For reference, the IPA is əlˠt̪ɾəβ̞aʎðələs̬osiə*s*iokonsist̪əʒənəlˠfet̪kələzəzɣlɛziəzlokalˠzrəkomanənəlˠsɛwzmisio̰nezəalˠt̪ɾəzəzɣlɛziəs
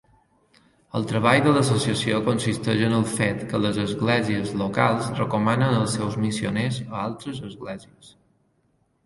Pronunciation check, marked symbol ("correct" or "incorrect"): correct